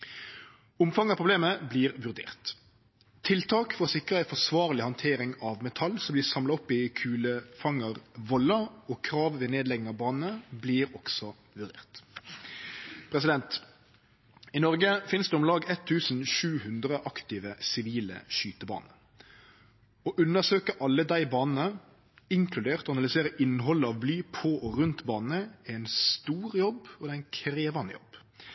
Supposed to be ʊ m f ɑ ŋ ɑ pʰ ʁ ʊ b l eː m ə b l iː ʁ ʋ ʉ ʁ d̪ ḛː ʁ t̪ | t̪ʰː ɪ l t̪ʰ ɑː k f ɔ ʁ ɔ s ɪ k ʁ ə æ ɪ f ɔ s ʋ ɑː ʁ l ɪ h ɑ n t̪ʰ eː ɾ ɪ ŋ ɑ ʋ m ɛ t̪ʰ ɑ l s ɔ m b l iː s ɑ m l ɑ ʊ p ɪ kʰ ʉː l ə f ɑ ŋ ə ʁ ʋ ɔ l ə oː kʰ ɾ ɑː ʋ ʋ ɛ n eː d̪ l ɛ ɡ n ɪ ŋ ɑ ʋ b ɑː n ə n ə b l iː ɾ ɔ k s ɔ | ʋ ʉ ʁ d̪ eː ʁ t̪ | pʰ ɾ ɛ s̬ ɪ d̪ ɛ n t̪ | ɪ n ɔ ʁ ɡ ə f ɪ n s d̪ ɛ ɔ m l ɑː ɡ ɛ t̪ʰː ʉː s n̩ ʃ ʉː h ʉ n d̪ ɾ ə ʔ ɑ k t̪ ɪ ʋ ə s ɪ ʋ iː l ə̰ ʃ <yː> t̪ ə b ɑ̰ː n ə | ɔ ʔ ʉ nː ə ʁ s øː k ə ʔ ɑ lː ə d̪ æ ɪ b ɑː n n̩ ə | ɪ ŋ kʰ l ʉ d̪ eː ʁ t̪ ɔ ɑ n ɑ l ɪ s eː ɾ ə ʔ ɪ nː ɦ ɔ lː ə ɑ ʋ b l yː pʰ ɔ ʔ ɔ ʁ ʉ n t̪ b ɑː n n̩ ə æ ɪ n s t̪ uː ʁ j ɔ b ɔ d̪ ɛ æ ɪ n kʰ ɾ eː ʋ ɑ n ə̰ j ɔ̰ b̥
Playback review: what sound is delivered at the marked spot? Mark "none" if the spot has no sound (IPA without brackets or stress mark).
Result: yː